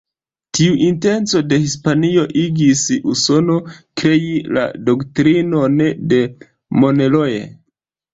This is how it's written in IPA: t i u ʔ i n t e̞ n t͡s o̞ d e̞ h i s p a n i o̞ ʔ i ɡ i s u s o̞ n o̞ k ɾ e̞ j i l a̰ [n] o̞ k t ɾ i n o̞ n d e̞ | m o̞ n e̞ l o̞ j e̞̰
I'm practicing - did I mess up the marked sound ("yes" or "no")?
yes